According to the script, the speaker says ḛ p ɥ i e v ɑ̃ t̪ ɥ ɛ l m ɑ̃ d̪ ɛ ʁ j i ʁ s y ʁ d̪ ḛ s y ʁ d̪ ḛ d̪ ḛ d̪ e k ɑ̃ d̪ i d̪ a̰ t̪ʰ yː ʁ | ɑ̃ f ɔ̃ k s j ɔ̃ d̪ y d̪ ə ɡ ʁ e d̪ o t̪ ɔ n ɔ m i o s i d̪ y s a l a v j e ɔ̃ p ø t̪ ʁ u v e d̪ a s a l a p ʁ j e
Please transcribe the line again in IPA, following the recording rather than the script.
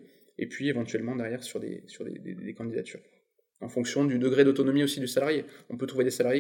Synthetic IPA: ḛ p ɥ i e v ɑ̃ t̪ ɥ ɛ l m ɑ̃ d̪ ɛ ʁ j ɛ ʁ s y ʁ d̪ ḛ s y ʁ d̪ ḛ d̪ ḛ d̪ e k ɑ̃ d̪ i d̪ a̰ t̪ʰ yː ʁ | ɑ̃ f ɔ̃ k s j ɔ̃ d̪ y d̪ ə ɡ ʁ e d̪ o t̪ ɔ n ɔ m i o s i d̪ y s a l a ʁ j e ɔ̃ p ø t̪ χ u v e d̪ e s a l a ʁ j e